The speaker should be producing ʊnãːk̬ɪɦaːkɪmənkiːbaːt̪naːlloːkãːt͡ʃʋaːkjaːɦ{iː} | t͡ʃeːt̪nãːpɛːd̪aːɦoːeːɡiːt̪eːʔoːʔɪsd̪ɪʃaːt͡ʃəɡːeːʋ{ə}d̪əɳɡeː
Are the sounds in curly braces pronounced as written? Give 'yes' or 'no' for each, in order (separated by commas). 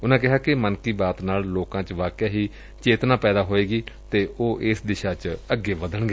yes, yes